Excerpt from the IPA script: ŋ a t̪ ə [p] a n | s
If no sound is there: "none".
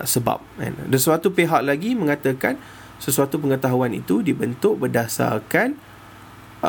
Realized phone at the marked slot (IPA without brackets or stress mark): k